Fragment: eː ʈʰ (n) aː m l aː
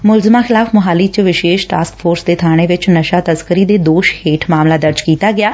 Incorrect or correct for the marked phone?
incorrect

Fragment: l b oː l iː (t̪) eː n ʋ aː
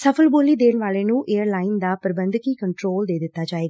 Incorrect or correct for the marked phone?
incorrect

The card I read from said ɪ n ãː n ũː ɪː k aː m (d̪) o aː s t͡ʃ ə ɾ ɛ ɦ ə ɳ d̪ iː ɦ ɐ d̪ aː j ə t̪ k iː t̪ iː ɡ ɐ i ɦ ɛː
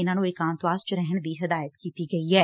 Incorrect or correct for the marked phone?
incorrect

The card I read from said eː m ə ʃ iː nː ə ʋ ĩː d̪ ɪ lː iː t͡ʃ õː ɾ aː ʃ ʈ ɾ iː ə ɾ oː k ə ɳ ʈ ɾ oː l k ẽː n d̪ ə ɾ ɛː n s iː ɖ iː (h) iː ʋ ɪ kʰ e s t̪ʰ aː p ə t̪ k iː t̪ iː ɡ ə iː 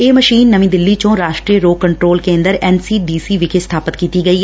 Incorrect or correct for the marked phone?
incorrect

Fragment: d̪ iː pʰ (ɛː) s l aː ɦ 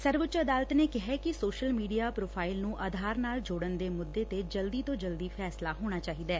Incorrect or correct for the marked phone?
correct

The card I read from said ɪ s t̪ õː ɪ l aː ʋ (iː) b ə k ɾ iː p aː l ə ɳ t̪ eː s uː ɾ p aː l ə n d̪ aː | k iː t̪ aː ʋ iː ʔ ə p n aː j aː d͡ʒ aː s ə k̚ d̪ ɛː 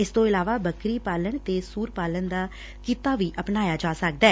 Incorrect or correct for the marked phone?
incorrect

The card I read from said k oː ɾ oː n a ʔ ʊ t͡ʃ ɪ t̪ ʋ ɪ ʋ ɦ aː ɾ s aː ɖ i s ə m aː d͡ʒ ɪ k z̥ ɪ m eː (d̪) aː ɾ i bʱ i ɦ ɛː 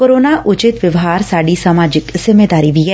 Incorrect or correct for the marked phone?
correct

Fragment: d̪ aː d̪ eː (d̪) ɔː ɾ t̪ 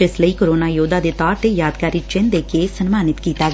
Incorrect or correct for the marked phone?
incorrect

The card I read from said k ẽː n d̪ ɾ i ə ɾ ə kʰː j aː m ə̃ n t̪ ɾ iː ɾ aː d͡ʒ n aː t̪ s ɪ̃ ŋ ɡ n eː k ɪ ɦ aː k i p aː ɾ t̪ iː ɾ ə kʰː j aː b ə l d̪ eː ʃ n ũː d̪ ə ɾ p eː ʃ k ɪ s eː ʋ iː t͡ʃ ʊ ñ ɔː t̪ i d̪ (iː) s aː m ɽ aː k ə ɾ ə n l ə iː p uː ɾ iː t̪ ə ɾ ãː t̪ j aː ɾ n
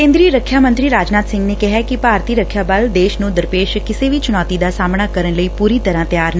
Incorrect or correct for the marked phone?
incorrect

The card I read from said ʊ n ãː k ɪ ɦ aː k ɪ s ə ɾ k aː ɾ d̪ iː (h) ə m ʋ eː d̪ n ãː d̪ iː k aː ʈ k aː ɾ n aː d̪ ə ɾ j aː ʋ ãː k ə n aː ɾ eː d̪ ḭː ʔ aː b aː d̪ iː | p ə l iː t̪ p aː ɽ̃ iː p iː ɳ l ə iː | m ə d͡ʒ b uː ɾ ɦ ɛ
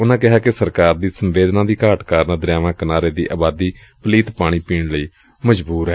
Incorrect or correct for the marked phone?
incorrect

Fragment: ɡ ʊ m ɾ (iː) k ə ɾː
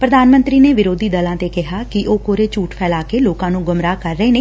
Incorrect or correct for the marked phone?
incorrect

